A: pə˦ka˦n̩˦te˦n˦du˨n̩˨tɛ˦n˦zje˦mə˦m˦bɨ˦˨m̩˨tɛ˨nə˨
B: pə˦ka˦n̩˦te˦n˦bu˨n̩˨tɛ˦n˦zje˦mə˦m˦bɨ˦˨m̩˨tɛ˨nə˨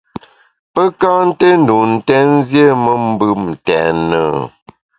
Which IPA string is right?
A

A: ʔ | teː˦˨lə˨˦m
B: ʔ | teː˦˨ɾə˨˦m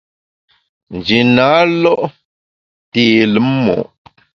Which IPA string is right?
A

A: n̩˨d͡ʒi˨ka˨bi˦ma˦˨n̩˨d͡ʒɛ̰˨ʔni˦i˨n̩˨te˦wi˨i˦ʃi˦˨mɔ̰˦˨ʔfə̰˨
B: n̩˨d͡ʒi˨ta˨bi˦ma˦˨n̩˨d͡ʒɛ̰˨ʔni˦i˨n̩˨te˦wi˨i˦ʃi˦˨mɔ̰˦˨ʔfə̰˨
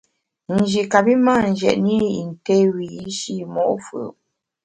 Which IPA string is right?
A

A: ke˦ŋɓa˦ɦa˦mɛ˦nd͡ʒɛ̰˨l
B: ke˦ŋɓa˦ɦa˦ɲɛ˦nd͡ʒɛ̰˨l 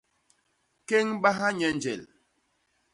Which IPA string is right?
B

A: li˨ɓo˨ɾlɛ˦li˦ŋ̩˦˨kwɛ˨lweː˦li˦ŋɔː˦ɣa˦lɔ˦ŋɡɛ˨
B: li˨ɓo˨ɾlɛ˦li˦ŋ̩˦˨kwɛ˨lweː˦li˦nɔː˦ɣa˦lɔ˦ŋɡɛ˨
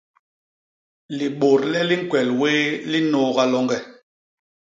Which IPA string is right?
B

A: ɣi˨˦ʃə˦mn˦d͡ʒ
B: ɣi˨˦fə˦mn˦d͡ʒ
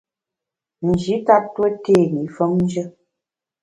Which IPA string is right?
B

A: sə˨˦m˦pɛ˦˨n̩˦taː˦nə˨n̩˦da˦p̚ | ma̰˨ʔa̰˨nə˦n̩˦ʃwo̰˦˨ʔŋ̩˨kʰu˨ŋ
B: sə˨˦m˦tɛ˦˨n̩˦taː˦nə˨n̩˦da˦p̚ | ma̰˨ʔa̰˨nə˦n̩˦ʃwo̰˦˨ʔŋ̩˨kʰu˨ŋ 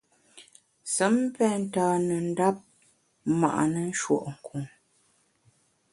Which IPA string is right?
A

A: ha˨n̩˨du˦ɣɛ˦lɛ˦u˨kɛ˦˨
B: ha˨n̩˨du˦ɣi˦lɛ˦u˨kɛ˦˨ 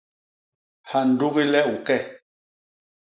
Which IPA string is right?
B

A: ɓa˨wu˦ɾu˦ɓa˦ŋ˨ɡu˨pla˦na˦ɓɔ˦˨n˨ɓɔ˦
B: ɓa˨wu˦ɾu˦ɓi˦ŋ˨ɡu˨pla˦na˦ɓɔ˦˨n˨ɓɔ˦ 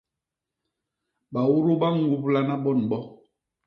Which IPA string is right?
A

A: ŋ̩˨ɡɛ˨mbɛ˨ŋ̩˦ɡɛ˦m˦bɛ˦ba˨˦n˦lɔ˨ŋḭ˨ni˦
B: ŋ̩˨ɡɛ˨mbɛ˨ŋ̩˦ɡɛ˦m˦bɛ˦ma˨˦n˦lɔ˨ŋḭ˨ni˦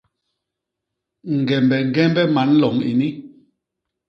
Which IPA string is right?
B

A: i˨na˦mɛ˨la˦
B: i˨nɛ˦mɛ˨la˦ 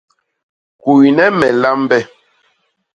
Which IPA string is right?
B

